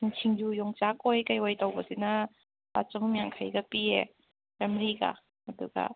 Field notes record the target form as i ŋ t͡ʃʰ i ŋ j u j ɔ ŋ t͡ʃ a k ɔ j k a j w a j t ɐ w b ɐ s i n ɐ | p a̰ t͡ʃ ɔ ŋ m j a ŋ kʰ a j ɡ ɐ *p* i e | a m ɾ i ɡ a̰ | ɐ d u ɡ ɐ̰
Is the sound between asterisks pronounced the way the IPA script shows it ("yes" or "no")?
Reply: yes